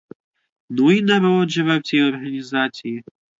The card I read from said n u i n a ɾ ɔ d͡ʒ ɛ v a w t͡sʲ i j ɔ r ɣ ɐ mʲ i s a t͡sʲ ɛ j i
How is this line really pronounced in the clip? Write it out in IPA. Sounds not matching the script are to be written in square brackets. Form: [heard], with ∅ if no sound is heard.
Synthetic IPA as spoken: n u i n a ɾ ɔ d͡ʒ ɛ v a w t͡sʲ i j ɔ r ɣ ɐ [nʲ] i [z] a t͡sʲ [i] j i